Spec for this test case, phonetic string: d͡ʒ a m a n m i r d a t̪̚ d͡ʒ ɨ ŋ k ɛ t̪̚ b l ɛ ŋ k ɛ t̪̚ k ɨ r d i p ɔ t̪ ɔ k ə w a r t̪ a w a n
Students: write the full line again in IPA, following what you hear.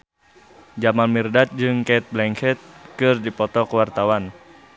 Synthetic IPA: d͡ʒ a m a n m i r d a t̪̚ d͡ʒ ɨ ŋ k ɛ t̪̚ b l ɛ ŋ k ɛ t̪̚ k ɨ r d i p ɔ t̪ ɔ k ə w a r t̪ a w a n